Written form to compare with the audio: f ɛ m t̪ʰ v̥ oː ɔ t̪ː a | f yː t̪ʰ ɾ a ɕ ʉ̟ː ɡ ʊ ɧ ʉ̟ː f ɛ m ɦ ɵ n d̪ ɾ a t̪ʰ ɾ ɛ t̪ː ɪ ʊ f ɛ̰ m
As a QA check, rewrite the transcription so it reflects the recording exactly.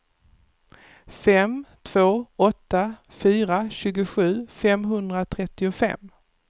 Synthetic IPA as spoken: f ɛ m t̪ʰ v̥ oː ɔ t̪ː a | f yː ɾ a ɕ ʉ̟ː ɡ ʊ ɧ ʉ̟ː f ɛ m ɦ ɵ n d̪ ɾ a t̪ʰ ɾ ɛ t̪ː ɪ ʊ f ɛ̰ m

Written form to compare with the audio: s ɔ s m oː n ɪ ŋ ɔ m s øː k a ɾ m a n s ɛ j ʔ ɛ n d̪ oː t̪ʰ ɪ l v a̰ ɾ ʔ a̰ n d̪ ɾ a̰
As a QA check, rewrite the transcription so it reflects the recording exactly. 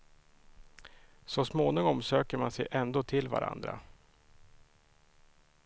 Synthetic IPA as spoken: s ɔ s m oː n ɪ ŋ ɔ m s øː k ə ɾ m a n s ɛ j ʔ ɛ n d̪ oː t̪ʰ ɪ l v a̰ ɾ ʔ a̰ n d̪ ɾ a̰

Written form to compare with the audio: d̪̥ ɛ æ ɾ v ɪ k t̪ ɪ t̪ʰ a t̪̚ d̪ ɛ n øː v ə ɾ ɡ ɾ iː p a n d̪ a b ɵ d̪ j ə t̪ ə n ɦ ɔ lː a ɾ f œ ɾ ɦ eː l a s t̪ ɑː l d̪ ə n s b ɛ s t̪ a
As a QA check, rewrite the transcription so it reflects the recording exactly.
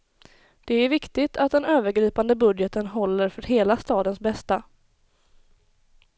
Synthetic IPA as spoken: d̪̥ ɛ æ ɾ v ɪ k t̪ ɪ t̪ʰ a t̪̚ d̪ ɛ n øː v ə ɾ ɡ ɾ iː p a n d̪ ə b ɵ d̪ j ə t̪ ə n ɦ ɔ lː ə ɾ f œ ɾ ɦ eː l a s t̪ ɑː d̪ ə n s b ɛ s t̪ a

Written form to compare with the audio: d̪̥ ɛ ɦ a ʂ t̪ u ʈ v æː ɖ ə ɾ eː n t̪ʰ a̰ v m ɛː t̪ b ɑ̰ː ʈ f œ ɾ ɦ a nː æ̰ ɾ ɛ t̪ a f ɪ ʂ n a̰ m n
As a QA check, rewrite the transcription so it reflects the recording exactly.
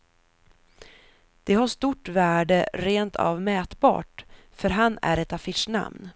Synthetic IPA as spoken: d̪̥ ɛ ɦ a ʂ t̪ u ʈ v æː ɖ ə ɾ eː n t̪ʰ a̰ v m ɛː t̪ b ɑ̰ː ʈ f œ ɾ ɦ a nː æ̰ ɾ ɛ t̪ a f ɪ ʂ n a̰ m n

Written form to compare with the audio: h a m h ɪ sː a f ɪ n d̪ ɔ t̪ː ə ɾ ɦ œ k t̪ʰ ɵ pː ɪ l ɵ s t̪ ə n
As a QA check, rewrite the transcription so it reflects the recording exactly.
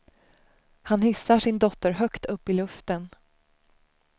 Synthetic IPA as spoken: h a n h ɪ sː a ʂ ɪ n d̪ ɔ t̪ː ə ɾ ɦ œ k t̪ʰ ɵ pː ɪ l ɵ f t̪ ə n

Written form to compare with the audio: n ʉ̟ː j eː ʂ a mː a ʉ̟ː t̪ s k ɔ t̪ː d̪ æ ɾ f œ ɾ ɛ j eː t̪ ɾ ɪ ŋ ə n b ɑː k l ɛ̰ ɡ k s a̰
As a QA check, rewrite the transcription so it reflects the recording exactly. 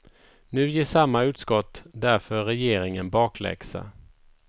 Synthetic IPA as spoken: n ʉ̟ː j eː ʂ a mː a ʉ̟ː t̪ s k ɔ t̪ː d̪ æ ɾ f œ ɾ ɛ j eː ɾ ɪ ŋ ə n b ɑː k l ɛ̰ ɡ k s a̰

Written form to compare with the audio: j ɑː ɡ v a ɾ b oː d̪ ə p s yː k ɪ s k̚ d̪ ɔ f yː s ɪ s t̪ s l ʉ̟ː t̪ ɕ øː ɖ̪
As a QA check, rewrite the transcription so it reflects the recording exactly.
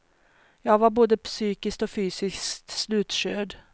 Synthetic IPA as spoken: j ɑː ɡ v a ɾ b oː d̪ ə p s yː k ɪ s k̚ t̪ ɔ f yː s ɪ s t̪ s l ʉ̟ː t̪ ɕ øː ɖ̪

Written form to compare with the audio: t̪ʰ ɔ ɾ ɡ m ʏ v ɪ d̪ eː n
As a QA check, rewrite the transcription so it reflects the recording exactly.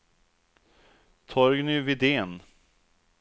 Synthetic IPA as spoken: t̪ʰ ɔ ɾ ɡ n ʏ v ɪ d̪ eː n

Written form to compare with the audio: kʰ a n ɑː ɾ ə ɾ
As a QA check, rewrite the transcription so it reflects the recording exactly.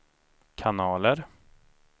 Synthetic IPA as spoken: kʰ a n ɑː l ə ɾ

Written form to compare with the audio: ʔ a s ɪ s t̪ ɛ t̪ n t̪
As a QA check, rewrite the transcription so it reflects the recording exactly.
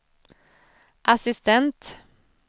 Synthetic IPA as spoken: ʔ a s ɪ s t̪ ɛ n t̪

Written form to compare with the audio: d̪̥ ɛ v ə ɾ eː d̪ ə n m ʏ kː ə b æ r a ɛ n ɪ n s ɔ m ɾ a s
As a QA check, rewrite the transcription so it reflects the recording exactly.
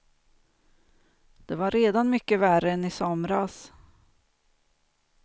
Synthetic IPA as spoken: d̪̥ ɛ v a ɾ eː d̪ a n m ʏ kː ə v æ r ə ɛ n ɪ s ɔ m ɾ a s

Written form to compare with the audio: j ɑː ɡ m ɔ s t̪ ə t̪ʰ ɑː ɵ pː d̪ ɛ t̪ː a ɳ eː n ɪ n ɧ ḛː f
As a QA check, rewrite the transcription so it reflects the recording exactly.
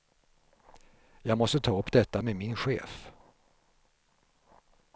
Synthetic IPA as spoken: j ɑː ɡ m ɔ s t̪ ə t̪ʰ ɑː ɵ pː d̪ ɛ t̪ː a m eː m ɪ n ɧ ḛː f

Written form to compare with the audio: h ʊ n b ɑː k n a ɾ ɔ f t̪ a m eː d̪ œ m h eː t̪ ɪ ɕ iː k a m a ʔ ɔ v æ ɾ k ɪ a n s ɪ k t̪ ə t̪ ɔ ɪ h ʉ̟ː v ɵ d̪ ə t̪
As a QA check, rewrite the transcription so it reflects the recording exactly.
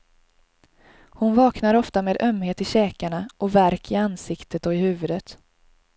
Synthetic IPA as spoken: h ʊ n v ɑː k n a ɾ ɔ f t̪ a m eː d̪ œ m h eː t̪ ɪ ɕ ɛː k a ɳ a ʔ ɔ v æ ɾ k ɪ a n s ɪ k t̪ ə t̪ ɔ ɪ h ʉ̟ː v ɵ d̪ ə t̪

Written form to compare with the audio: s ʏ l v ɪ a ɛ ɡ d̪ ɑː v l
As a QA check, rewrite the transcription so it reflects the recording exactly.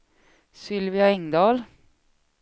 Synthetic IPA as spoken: s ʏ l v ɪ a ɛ ŋ d̪ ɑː l

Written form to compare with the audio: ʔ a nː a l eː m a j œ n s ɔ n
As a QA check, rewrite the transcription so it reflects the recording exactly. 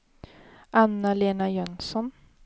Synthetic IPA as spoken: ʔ a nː a l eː n a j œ n s ɔ n

